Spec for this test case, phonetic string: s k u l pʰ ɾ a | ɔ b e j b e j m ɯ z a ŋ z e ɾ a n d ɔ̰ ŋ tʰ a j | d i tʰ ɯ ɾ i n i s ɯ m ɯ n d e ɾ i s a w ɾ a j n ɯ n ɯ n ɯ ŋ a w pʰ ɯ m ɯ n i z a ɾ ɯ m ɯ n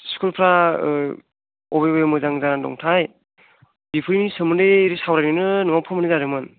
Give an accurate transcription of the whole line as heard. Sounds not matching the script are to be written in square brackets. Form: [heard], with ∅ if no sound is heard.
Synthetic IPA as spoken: s k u l pʰ ɾ a | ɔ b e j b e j m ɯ z a ŋ z [a] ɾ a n d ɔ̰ ŋ tʰ a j | [b] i [pʰ] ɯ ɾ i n i s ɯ m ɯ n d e ɾ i s a w ɾ a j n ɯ n ɯ n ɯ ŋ a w pʰ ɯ m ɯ n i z a ɾ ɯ m ɯ n